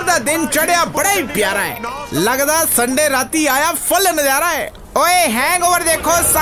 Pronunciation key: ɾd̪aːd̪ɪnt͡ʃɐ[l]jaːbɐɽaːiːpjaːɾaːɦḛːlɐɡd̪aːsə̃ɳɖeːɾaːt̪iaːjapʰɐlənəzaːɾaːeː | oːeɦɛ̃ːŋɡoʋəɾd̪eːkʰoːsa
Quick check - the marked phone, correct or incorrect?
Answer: incorrect